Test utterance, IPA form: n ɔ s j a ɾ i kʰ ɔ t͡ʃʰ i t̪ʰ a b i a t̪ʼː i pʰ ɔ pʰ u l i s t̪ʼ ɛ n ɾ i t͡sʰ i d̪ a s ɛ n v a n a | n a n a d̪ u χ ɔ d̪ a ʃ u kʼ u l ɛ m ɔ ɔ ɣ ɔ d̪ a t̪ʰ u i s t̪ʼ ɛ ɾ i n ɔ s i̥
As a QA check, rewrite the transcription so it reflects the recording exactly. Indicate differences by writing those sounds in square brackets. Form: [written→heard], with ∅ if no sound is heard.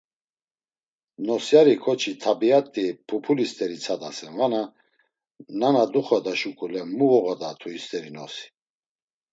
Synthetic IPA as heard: n ɔ s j a ɾ i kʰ ɔ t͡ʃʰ i t̪ʰ a b i a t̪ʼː i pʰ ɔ pʰ u l i s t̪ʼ ɛ [n→∅] ɾ i t͡sʰ [i→a] d̪ a s ɛ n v a n a | n a n a d̪ u χ ɔ d̪ a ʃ u kʼ u l ɛ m [ɔ→u] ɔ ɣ ɔ d̪ a t̪ʰ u i s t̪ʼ ɛ ɾ i n ɔ s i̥

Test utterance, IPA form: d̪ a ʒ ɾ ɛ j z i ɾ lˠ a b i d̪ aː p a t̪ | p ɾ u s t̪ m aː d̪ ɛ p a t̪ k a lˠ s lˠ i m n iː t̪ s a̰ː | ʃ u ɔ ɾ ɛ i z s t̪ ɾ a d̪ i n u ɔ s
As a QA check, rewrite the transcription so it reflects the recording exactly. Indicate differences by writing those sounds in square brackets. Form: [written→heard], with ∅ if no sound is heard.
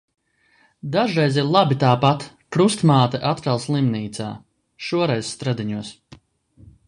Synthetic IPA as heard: d̪ a ʒ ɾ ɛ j z i ɾ lˠ a b i [d̪→t̪] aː p a t̪ | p ɾ u s t̪ m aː [d̪→t̪] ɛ [p→ʔ] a t̪ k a lˠ s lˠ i m n iː t̪ s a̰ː | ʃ u ɔ ɾ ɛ [i→j] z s t̪ ɾ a d̪ i [n→ɲ] u ɔ s

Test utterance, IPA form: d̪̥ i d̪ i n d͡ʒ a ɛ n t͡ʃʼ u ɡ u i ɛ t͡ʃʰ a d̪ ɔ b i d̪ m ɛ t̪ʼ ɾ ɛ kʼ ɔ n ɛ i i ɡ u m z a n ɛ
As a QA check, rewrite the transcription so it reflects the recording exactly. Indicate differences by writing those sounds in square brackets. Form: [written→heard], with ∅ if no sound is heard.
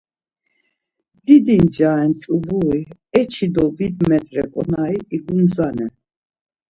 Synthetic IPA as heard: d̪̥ i d̪ i n d͡ʒ a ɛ n t͡ʃʼ u [ɡ→b] u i ɛ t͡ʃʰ [a→i] d̪ ɔ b i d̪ m ɛ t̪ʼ ɾ ɛ kʼ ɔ n [ɛ→a] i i ɡ u m z a n ɛ

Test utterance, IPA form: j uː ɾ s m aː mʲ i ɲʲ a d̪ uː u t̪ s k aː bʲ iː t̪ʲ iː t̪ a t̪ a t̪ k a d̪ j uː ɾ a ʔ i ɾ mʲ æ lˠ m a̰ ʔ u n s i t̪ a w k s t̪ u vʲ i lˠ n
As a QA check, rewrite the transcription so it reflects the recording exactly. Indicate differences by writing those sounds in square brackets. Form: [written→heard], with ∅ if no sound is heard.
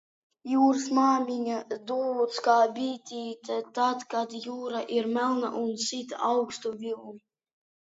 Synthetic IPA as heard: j uː ɾ s m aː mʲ i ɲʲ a d̪ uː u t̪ s k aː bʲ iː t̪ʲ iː t̪ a t̪ a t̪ k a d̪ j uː ɾ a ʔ i ɾ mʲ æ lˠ [m→n] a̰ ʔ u n s i t̪ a w k s t̪ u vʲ i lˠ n

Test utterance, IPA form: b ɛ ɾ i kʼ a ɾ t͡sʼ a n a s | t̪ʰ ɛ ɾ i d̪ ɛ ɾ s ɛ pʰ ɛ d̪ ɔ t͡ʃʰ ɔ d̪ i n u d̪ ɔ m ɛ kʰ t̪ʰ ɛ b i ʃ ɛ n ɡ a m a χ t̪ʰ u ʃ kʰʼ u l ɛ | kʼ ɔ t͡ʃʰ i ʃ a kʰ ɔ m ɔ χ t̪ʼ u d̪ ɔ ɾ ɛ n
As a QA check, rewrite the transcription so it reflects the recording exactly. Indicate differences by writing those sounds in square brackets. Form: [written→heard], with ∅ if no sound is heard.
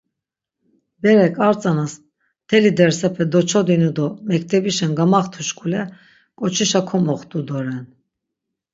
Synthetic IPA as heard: b ɛ ɾ [i→ɛ] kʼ a ɾ t͡sʼ a n a s | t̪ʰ ɛ [ɾ→l] i d̪ ɛ ɾ s ɛ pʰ ɛ d̪ ɔ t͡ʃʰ ɔ d̪ i n u d̪ ɔ m ɛ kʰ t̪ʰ ɛ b i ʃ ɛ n ɡ a m a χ t̪ʰ u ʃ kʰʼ u l ɛ | kʼ ɔ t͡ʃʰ i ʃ a kʰ ɔ m ɔ χ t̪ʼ u d̪ ɔ ɾ ɛ n

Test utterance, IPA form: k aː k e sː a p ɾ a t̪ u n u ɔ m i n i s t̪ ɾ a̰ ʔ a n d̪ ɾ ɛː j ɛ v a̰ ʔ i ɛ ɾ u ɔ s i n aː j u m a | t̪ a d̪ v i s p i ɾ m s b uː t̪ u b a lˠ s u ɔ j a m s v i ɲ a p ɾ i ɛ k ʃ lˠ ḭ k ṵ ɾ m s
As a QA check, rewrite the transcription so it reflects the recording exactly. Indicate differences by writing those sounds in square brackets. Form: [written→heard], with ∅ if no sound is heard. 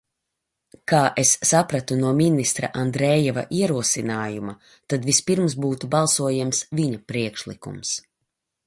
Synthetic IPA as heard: k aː [k→ʔ] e sː a p ɾ a t̪ u n u ɔ m i n i s t̪ ɾ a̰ ʔ a n d̪ ɾ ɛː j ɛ v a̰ ʔ i ɛ ɾ u ɔ s i n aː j u m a | t̪ a d̪ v i s p i ɾ m s b uː t̪ u b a lˠ s u ɔ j a m s v i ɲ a p ɾ i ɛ k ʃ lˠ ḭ k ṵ [ɾ→∅] m s

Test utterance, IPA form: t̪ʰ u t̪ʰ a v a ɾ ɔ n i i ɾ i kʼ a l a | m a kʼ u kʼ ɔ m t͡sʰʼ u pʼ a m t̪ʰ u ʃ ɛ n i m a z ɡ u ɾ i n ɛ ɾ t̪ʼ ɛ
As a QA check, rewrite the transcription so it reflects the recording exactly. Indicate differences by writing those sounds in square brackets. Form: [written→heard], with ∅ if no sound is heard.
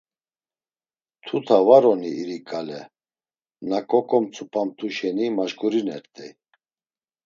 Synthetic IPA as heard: t̪ʰ u t̪ʰ a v a ɾ ɔ n i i ɾ i kʼ a l [a→ɛ] | [m→n] a kʼ [u→ɔ] kʼ ɔ m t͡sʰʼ u pʼ a m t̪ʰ u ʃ ɛ n i m a [z→ʒ] ɡ u ɾ i n ɛ ɾ t̪ʼ ɛ

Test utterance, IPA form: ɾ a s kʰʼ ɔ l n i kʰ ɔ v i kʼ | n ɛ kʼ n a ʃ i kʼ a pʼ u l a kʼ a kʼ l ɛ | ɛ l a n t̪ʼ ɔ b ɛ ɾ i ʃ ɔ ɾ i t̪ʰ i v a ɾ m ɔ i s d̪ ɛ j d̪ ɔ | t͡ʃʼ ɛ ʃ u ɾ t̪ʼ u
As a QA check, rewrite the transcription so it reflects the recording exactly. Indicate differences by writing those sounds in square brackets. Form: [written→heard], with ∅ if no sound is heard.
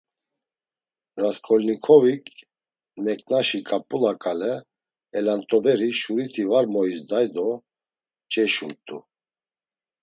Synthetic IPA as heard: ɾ a s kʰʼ ɔ l n i kʰ ɔ v i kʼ | n ɛ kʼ n a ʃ i kʼ a pʼ u l a kʼ a [kʼ→∅] l ɛ | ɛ l a n t̪ʼ ɔ b ɛ ɾ i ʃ [ɔ→u] ɾ i t̪ʰ i v a ɾ m ɔ i s d̪ [ɛ→a] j d̪ ɔ | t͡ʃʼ ɛ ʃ u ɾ t̪ʼ u

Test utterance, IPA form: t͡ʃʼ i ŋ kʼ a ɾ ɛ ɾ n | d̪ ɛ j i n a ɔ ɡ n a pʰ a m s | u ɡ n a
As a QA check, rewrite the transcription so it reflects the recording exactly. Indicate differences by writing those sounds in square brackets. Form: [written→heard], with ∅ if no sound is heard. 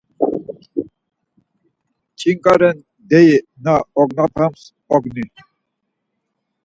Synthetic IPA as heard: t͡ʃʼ i ŋ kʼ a ɾ ɛ [ɾ→∅] n | d̪ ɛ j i n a ɔ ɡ n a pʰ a m s | [u→ɔ] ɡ n [a→i]

